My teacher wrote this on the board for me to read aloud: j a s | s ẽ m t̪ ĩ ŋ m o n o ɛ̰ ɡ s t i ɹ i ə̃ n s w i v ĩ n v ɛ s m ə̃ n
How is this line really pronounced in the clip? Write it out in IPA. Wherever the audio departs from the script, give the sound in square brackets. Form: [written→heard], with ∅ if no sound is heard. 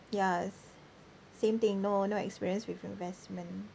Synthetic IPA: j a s | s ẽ m t̪ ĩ ŋ [m→n] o n o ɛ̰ [ɡ→k] s [t→p] i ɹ i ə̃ n s w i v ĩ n v ɛ s m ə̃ n